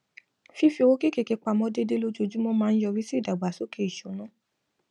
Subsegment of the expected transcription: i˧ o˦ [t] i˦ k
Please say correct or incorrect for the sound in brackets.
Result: incorrect